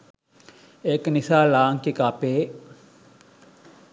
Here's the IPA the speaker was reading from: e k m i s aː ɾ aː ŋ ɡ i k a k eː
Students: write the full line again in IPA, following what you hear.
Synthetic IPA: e k n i s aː l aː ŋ k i k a p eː